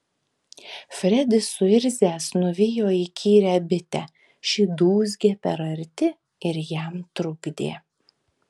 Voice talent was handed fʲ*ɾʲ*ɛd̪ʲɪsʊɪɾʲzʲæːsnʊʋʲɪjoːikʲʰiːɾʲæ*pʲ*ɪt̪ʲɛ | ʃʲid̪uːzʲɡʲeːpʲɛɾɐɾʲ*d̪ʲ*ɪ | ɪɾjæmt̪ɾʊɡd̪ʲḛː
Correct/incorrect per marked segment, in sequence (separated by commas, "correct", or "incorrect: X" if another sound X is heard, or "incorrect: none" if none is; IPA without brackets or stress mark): correct, incorrect: bʲ, incorrect: t̪ʲ